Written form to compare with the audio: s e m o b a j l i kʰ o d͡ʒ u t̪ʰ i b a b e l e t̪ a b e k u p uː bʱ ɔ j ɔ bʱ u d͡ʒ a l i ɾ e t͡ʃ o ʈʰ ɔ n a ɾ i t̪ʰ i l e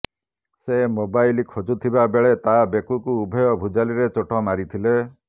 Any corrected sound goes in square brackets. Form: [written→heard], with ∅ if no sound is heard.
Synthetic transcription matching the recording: s e m o b a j l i kʰ o d͡ʒ u t̪ʰ i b a b e [l→ɭ] e t̪ a b e k u [p→k] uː bʱ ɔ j ɔ bʱ u d͡ʒ a l i ɾ e t͡ʃ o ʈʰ ɔ [n→m] a ɾ i t̪ʰ i l e